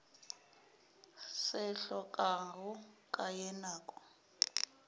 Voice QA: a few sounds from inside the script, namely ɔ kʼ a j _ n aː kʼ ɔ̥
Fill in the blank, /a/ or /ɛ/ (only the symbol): ɛ